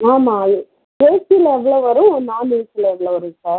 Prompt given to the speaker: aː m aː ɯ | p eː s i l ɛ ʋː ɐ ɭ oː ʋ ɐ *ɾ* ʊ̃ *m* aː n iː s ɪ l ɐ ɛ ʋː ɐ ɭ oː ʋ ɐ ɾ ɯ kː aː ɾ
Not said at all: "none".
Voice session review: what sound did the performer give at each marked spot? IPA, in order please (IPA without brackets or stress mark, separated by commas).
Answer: ɾ, n